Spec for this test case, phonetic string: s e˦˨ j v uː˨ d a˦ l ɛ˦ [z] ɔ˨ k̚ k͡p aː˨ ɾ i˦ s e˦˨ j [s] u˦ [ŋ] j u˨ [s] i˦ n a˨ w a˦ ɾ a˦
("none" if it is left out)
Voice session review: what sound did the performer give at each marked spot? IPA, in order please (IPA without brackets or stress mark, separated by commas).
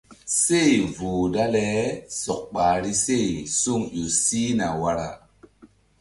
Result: s, s, ŋ, s